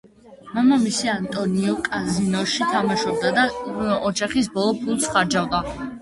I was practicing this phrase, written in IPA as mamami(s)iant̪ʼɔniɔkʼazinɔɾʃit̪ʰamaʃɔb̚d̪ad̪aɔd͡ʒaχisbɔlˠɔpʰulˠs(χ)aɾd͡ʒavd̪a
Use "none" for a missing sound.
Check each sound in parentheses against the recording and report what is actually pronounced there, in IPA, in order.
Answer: s, χ

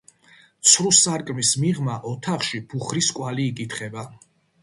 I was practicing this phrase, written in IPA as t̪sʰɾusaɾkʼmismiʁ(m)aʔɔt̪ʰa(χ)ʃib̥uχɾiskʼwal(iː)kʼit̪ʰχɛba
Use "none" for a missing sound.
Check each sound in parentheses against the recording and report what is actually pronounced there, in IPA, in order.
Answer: m, χ, iː

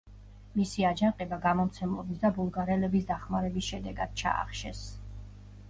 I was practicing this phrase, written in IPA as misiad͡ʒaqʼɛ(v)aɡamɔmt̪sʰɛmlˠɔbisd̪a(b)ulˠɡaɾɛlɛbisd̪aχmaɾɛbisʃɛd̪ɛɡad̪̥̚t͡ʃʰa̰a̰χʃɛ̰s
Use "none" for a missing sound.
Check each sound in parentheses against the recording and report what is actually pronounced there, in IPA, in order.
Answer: b, b

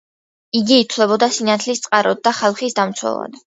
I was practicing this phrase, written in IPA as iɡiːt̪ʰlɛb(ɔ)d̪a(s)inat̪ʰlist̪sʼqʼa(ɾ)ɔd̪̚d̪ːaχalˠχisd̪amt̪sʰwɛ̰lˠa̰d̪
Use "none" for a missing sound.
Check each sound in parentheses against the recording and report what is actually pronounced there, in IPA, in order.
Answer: ɔ, s, ɾ

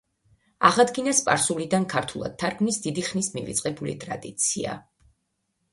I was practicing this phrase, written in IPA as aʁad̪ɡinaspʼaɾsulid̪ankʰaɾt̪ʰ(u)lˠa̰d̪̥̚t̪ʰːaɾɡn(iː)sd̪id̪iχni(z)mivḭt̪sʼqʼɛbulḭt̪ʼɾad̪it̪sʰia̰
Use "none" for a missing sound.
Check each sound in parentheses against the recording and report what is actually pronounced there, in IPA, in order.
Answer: u, i, s

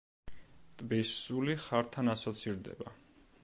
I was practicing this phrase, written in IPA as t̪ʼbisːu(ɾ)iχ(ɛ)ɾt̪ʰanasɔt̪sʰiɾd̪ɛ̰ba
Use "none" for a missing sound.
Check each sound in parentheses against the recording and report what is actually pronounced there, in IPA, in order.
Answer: l, a

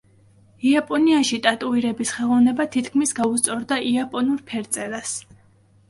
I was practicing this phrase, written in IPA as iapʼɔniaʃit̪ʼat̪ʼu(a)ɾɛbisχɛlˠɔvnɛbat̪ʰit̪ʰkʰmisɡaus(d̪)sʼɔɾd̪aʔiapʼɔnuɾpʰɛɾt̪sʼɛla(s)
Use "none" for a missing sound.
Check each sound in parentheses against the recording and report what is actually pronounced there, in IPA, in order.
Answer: i, t̪, s

